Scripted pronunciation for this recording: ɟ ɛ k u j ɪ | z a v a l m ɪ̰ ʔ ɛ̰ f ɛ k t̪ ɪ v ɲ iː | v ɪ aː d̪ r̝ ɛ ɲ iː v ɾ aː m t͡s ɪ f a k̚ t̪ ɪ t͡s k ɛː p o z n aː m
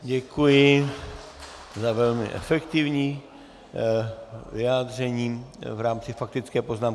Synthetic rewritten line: ɟ ɛ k u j ɪ | z a v ɛ l m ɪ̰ ʔ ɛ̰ f ɛ k t̪ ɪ v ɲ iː | v ɪ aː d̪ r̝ ɛ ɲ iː v ɾ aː m t͡s ɪ f a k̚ t̪ ɪ t͡s k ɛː p o z n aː m

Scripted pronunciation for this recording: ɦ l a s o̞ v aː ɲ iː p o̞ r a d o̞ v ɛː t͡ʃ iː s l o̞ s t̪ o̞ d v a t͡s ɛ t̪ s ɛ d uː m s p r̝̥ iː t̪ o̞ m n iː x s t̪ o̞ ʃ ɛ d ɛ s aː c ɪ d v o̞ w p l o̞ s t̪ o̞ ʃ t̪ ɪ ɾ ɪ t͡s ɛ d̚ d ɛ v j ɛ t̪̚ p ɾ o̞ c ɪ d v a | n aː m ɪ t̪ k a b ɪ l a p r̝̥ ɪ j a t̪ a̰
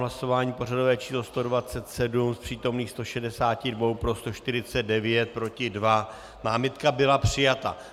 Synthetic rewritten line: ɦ l a s o̞ v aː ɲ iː p o̞ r a d o̞ v ɛː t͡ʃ iː s l o̞ s t̪ o̞ d v a t͡s ɛ t̪ s ɛ d u m s p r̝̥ iː t̪ o̞ m n iː x s t̪ o̞ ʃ ɛ d ɛ s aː c ɪ d v o̞ w p ɾ o̞ s t̪ o̞ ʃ t̪ ɪ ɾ ɪ t͡s ɛ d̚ d ɛ v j ɛ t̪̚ p ɾ o̞ c ɪ d v a | n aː m ɪ t̪ k a b ɪ l a p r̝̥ ɪ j a t̪ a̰

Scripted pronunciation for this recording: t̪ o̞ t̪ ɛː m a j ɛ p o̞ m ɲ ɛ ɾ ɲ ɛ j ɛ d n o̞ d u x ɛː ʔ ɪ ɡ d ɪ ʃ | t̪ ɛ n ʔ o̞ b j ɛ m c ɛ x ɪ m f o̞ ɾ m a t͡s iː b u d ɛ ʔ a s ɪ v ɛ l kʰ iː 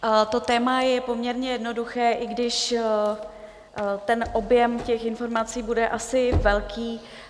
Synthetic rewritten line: t̪ o̞ t̪ ɛː m a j ɛ p o̞ m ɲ ɛ ɾ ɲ ɛ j ɛ d n o̞ d u x ɛː ʔ ɪ ɡ d ɪ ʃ | t̪ ɛ n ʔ o̞ b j ɛ m c ɛ x ɪ n f o̞ ɾ m a t͡s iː b u d ɛ ʔ a s ɪ v ɛ l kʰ iː

